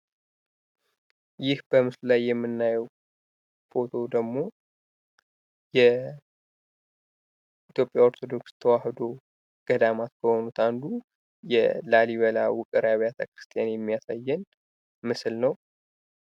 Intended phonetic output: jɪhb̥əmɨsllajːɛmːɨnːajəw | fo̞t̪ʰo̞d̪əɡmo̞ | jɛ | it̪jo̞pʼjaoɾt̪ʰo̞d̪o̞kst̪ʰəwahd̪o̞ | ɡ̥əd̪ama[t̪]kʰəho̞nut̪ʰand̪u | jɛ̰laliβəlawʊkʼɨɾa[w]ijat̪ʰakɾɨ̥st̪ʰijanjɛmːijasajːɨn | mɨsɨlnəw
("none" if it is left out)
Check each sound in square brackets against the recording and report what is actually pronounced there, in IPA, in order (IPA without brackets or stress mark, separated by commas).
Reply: t̪, β